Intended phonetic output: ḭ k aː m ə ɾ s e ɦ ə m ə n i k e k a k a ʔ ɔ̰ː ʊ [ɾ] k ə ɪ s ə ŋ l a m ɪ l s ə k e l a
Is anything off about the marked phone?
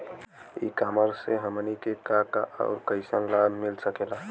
no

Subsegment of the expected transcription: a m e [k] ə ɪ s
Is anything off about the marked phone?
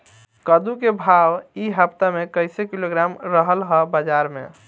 no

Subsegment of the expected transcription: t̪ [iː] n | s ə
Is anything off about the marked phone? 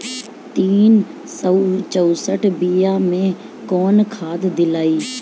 no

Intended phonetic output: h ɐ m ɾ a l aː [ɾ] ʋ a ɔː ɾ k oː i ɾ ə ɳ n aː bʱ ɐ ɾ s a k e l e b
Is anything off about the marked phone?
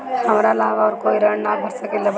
yes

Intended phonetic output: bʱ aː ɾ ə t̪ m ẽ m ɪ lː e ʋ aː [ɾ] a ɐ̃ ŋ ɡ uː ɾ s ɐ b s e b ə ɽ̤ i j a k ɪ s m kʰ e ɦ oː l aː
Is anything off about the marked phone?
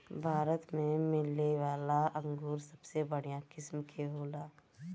yes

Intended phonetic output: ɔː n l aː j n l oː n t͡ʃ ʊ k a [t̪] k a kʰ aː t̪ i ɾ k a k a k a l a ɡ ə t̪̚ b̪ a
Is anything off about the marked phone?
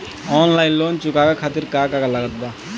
yes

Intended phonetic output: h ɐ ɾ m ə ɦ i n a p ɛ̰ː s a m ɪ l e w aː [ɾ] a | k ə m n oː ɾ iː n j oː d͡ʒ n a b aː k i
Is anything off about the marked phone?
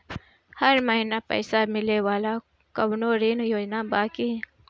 yes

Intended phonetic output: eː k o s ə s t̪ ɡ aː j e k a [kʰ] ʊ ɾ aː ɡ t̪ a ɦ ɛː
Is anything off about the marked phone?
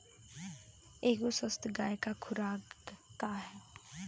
no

